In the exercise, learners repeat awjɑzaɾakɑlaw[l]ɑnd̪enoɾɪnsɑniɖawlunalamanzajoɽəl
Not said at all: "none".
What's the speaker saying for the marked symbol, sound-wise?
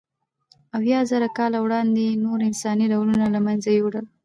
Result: ɽ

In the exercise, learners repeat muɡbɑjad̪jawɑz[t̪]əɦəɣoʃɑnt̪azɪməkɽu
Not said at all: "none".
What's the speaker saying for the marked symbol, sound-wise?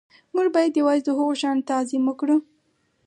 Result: d̪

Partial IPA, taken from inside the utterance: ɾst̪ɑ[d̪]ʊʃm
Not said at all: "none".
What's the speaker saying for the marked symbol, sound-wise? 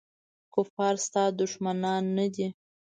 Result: d̪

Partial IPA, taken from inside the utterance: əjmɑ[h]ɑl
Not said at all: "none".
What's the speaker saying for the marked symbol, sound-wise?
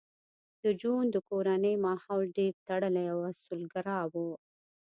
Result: h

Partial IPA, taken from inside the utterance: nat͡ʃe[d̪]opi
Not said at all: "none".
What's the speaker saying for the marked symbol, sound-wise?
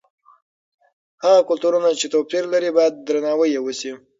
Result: t̪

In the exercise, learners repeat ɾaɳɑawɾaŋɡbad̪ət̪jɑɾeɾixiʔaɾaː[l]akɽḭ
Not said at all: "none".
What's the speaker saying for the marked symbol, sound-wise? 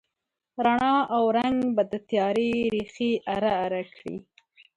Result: ɾ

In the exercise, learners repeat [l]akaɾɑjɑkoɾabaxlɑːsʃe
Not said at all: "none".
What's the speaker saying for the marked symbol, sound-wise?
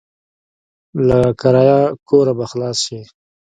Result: l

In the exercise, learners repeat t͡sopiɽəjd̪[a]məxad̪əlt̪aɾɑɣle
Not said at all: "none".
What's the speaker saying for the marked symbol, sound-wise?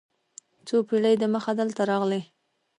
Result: ə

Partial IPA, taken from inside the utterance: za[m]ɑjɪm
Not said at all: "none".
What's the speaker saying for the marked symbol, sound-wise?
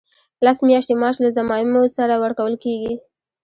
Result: m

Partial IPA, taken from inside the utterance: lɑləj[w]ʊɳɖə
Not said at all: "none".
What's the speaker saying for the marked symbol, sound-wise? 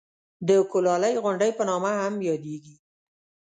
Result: ɣ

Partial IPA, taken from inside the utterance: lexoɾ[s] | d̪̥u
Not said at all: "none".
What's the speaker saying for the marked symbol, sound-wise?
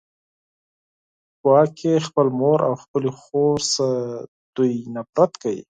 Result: s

